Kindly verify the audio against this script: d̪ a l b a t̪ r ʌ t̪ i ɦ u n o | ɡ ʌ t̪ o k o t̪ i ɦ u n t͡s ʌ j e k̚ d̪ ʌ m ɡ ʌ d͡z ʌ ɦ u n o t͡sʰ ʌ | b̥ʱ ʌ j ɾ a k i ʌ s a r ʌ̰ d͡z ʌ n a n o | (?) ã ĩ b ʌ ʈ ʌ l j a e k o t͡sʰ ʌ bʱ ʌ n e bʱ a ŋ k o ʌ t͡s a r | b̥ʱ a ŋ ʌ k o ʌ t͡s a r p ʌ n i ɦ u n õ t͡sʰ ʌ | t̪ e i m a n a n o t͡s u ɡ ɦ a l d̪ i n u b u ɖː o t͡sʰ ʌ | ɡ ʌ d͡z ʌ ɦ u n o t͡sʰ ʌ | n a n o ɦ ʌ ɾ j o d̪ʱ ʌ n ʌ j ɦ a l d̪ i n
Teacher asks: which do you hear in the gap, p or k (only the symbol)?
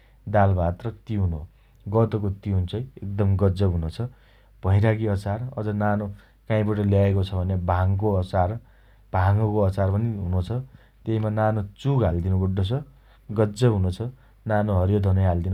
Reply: k